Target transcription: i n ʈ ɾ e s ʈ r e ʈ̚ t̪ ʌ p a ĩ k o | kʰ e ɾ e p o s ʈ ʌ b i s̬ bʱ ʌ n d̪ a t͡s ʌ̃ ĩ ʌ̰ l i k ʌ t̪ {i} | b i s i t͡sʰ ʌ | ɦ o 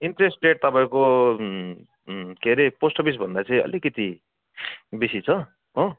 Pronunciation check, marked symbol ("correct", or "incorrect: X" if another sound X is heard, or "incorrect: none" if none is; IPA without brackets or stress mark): correct